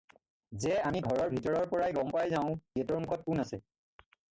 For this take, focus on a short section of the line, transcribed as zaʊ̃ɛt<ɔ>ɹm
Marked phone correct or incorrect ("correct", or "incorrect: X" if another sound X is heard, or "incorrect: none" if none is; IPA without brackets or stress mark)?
correct